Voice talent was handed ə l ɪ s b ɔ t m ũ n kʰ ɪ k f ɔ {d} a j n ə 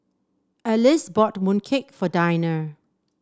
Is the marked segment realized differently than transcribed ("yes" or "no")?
no